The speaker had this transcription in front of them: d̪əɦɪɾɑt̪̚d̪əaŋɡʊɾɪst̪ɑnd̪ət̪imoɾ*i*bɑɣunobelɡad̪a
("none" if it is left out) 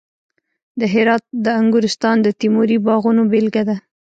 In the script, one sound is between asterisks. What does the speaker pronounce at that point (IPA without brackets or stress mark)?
i